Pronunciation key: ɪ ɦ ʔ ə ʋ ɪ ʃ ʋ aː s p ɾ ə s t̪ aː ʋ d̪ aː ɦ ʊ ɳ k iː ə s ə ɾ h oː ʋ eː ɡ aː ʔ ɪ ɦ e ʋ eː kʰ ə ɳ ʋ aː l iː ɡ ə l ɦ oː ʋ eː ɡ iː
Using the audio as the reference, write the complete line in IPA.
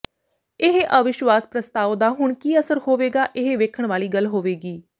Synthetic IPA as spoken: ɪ ɦ ʔ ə ʋ ɪ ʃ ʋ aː s p ɾ ə s t̪ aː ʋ d̪ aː ɦ ʊ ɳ k iː ə s ə ɾ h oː ʋ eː ɡ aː ʔ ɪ ɦ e ʋ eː kʰ ə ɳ ʋ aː l iː ɡ ə l ɦ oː ʋ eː ɡ iː